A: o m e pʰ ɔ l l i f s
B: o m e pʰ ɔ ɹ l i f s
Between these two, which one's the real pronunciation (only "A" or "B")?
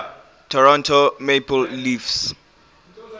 A